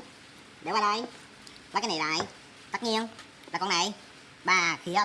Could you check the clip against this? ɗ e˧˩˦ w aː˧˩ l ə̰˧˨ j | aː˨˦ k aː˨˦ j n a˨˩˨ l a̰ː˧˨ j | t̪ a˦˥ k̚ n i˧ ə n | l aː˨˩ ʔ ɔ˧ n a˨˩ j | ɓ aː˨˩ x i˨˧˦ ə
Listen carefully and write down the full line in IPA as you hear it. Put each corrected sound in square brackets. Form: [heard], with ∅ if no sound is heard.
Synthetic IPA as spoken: ɗ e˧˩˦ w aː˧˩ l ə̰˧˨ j | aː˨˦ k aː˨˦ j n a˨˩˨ l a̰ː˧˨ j | t̪ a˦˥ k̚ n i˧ ə n | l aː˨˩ [k] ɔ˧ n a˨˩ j | ɓ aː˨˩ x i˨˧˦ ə